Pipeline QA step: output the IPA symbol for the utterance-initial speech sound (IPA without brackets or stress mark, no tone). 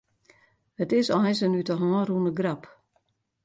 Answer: ə